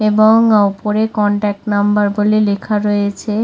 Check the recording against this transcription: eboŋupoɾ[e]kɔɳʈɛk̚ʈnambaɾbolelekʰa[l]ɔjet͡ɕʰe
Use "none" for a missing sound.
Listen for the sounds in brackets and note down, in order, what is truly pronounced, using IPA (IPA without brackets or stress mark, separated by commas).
e, ɾ